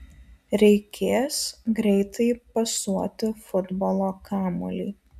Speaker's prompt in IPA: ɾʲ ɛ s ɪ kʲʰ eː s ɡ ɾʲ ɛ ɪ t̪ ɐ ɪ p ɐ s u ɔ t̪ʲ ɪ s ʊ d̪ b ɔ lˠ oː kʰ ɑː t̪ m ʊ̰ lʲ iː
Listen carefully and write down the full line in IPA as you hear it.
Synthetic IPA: ɾʲ ɛ ɪ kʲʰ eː s ɡ ɾʲ ɛ ɪ t̪ ɐ ɪ p ɐ s u ɔ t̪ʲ ɪ f ʊ d̪ b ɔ lˠ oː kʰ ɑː m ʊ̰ lʲ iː